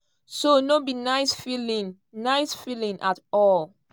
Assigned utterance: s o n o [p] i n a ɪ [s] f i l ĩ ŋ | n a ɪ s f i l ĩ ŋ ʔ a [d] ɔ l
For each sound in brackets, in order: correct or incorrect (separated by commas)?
incorrect, correct, incorrect